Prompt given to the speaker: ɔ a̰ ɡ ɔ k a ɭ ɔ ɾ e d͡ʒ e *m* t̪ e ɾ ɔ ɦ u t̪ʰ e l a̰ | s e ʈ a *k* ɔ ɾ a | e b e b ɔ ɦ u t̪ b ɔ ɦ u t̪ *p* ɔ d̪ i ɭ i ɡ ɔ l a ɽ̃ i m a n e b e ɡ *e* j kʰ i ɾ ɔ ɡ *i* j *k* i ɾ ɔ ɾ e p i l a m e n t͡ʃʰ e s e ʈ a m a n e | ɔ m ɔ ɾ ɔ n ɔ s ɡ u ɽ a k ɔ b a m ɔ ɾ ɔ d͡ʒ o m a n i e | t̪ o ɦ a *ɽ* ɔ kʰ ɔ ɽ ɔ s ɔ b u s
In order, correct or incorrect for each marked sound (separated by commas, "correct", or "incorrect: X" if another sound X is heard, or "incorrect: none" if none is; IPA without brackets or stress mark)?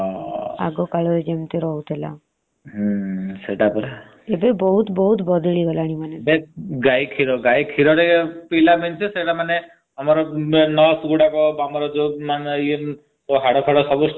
correct, incorrect: p, incorrect: b, incorrect: a, incorrect: a, incorrect: kʰ, correct